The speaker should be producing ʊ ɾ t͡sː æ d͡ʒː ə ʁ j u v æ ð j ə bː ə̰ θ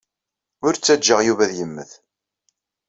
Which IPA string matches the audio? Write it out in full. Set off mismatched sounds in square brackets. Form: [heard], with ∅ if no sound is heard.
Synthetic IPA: ʊ ɾ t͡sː æ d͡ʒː ə ʁ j u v æ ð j ə [mː] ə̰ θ